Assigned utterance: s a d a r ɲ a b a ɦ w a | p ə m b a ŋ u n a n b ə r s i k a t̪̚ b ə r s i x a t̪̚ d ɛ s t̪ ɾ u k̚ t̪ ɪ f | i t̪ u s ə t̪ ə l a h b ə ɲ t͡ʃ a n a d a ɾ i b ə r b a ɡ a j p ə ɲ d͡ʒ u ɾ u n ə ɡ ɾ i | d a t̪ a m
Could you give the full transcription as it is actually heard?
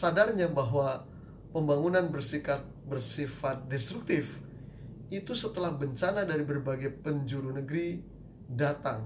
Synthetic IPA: s a d a r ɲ a b a ɦ w a | p ə m b a ŋ u n a n b ə r s i k a t̪̚ b ə r s i f a t̪̚ d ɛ s t̪ ɾ u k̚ t̪ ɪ f | i t̪ u s ə t̪ ə l a h b ə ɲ t͡ʃ a n a d a ɾ i b ə r b a ɡ a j p ə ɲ d͡ʒ u ɾ u n ə ɡ ɾ i | d a t̪ a ŋ